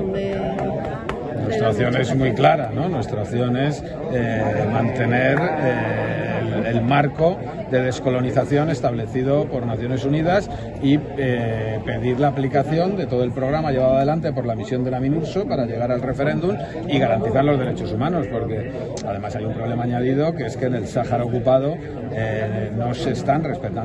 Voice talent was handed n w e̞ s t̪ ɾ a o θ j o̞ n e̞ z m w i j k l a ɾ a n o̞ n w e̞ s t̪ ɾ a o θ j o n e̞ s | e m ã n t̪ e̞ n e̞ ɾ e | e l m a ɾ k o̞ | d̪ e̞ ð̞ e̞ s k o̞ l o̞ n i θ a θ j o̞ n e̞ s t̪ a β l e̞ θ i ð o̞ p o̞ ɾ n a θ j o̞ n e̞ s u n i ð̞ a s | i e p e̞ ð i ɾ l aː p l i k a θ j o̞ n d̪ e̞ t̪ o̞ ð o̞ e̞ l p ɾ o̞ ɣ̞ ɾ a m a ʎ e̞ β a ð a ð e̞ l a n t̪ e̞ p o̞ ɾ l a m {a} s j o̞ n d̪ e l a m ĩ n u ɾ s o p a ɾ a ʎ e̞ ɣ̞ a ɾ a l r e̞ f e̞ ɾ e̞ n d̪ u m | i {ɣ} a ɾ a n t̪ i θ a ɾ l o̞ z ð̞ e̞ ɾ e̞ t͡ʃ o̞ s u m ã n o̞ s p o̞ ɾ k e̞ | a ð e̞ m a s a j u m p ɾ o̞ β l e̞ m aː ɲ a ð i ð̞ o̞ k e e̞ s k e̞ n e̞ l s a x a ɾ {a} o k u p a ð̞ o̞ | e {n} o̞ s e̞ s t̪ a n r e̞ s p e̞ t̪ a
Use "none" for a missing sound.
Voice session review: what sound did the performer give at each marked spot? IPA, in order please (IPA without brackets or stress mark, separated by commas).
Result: i, ɣ, a, n